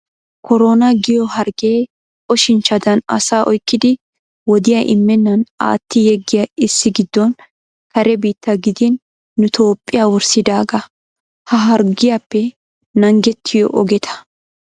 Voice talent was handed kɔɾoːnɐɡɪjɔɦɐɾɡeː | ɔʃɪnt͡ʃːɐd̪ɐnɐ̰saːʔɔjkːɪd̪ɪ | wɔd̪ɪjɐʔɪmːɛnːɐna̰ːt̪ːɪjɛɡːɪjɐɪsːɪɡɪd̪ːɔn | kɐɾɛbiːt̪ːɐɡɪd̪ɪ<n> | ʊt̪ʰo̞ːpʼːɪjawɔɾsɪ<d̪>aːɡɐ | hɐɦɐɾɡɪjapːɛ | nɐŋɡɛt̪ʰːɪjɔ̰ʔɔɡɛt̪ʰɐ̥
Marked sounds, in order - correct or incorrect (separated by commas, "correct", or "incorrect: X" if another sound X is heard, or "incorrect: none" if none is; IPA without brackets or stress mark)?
incorrect: nː, correct